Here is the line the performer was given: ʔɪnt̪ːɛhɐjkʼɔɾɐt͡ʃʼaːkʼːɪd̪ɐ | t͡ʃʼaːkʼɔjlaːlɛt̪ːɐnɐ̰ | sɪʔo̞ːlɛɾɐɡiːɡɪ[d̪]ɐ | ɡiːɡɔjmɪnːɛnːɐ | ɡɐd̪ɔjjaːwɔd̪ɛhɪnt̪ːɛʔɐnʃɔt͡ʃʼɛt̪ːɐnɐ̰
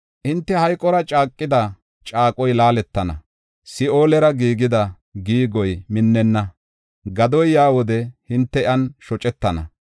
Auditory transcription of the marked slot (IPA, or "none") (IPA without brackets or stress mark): d̪